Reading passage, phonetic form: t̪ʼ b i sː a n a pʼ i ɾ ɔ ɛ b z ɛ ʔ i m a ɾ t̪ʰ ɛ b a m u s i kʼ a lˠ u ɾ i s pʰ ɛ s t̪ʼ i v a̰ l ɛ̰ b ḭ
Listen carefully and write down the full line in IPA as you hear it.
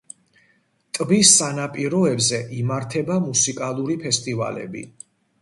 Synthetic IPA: t̪ʼ b i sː a n a pʼ i ɾ ɔ ɛ b z ɛ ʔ i m a ɾ t̪ʰ ɛ b a m u s i kʼ a lˠ u ɾ i pʰ ɛ s t̪ʼ i v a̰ l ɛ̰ b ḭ